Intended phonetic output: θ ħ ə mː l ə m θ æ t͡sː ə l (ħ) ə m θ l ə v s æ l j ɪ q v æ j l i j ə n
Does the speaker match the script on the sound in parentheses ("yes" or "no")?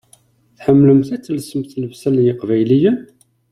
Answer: no